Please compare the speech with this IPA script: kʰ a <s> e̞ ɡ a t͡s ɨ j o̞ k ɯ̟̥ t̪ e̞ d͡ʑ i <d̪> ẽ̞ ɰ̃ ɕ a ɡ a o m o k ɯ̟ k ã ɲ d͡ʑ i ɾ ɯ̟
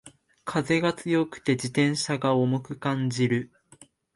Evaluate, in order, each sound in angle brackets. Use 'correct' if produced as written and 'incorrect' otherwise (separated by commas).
incorrect, incorrect